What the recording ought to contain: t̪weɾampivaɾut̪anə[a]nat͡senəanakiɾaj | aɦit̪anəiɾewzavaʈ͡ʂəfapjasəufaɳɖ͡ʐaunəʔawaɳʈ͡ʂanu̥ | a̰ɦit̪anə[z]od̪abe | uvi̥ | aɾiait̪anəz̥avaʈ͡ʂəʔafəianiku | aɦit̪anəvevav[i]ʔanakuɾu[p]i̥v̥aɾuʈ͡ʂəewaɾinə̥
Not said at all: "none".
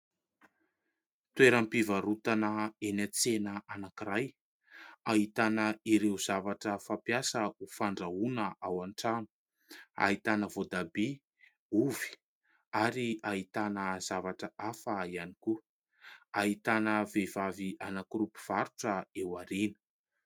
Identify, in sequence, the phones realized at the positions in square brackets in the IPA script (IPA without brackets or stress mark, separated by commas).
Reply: e, v, i, p